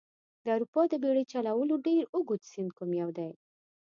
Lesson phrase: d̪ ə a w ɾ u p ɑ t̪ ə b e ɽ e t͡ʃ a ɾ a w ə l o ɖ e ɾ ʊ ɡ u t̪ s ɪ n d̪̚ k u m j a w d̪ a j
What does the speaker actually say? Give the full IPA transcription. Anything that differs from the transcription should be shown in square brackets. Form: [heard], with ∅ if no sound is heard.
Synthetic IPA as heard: d̪ ə a w ɾ u p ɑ [d̪] ə b e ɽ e t͡ʃ a [l] a w ə l o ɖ e ɾ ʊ ɡ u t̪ s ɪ n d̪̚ k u m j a w d̪ a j